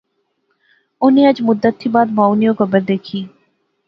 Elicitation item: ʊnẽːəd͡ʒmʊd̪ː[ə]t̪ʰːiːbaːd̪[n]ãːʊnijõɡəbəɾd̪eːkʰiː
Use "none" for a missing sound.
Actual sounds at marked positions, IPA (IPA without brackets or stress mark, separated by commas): ə, m